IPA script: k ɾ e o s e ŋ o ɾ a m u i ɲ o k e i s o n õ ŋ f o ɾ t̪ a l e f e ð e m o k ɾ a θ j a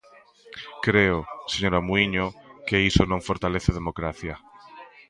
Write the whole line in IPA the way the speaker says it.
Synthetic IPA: k ɾ e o s e ɲ o ɾ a m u i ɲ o k e i s o n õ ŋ f o ɾ t̪ a l e θ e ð e m o k ɾ a θ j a